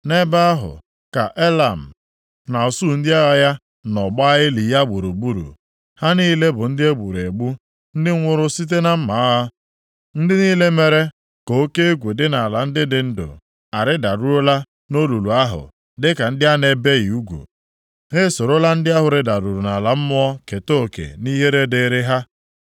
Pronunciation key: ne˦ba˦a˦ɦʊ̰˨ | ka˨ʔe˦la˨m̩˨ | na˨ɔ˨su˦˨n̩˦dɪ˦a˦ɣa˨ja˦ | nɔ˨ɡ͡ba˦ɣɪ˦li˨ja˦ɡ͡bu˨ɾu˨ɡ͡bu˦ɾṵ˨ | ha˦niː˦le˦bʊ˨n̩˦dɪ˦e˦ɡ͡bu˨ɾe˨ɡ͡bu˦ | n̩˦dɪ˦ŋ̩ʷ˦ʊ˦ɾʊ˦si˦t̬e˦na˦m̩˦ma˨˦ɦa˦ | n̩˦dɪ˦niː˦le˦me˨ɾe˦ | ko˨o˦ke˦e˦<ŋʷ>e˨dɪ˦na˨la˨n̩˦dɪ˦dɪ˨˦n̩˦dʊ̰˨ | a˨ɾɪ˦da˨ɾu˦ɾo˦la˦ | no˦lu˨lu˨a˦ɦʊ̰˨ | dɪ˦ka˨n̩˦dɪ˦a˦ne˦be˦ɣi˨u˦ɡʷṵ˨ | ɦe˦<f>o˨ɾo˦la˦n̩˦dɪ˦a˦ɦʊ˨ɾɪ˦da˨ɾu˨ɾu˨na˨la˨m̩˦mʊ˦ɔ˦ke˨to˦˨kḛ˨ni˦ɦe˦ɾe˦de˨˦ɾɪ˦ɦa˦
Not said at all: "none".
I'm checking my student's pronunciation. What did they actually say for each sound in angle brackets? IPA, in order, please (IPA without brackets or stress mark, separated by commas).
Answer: ɡʷ, s